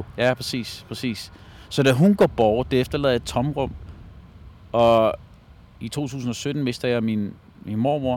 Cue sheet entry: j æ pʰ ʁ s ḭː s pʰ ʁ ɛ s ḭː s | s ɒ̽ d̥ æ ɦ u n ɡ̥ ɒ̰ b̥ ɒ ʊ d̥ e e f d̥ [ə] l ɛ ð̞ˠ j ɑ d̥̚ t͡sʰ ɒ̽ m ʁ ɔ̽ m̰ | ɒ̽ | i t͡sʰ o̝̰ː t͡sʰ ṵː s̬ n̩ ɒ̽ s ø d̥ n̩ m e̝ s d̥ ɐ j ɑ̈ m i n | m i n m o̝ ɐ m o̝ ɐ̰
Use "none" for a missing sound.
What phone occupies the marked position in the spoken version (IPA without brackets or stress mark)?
ɐ